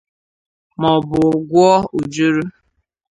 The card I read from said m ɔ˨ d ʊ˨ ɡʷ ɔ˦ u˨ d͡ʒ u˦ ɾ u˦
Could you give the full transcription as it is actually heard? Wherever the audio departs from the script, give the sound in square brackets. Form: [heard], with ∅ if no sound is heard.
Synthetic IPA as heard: m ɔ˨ [b] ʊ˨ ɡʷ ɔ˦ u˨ d͡ʒ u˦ ɾ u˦